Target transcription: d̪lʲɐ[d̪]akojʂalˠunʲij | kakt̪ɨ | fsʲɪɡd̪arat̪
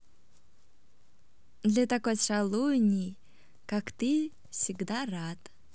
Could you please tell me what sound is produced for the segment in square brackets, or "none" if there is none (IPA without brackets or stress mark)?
t̪